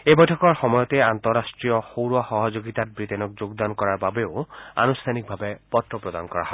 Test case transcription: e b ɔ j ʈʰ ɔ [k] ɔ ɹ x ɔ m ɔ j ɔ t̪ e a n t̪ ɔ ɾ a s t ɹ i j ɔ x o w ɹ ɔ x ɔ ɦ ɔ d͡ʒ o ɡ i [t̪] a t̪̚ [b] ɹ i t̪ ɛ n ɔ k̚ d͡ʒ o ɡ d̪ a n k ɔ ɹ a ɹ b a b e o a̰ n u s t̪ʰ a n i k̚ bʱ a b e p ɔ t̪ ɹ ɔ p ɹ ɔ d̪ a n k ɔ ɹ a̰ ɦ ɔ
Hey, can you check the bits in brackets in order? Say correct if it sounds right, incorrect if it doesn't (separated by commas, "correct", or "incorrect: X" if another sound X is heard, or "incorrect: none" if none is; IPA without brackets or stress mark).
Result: correct, correct, correct